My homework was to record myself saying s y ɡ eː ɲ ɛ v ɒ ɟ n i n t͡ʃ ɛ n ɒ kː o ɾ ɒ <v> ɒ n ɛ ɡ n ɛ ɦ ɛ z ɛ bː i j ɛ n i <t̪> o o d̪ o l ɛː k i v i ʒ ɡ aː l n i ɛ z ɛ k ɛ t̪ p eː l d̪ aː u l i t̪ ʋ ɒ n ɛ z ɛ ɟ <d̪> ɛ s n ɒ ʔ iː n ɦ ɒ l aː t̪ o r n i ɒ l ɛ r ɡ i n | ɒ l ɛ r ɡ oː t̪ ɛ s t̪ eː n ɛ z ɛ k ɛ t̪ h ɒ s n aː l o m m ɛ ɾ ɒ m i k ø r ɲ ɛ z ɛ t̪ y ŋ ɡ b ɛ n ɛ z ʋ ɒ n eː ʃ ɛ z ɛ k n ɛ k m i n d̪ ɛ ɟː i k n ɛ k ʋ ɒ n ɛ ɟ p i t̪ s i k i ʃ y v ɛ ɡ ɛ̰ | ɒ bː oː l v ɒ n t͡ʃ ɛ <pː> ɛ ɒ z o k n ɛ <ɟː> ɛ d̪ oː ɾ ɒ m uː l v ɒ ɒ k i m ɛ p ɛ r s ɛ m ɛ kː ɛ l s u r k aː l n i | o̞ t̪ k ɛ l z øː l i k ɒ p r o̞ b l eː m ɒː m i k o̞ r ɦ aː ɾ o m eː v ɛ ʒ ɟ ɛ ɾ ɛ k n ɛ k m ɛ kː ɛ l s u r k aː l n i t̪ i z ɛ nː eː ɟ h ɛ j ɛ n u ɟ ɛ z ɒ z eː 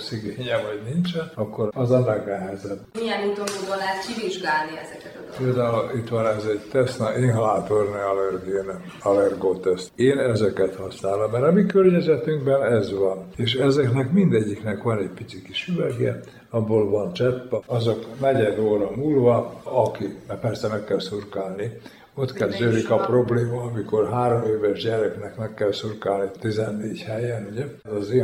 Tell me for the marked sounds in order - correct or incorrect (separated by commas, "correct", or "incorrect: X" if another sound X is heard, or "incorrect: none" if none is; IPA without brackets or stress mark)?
incorrect: z, correct, incorrect: t̪, correct, incorrect: ɟ